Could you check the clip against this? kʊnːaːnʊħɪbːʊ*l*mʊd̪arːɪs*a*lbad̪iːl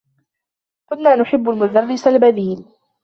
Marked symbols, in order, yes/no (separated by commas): yes, yes